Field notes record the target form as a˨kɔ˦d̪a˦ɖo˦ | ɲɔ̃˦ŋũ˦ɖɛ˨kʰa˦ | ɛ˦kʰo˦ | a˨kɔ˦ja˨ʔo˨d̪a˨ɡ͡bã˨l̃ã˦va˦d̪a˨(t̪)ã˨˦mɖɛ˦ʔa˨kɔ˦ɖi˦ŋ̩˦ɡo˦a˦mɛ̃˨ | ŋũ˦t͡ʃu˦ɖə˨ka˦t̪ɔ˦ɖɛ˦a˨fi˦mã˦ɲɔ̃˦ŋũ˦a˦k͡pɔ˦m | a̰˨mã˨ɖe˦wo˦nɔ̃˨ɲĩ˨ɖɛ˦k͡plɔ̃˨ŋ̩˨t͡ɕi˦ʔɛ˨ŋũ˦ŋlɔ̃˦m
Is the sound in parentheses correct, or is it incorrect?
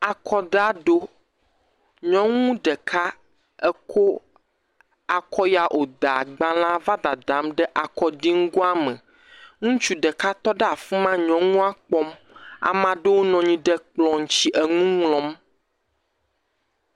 incorrect